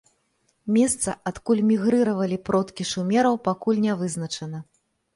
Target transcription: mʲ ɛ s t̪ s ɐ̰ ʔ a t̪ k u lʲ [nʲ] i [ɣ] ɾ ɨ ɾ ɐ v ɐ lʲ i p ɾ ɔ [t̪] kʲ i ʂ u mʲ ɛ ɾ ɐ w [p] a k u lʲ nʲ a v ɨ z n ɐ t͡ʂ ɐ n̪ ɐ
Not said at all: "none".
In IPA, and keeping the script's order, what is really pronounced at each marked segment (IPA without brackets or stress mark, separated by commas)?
mʲ, ɣ, t̪, p